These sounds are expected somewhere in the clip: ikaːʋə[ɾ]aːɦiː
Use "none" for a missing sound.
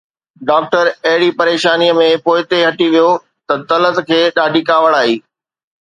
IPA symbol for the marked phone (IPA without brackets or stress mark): ɽ